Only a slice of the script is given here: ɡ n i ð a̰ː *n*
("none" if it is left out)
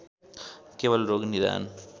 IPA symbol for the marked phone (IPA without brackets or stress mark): n